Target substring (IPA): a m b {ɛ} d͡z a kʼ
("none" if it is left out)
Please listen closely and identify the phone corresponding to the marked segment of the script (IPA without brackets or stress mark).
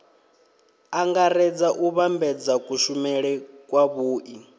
ɛ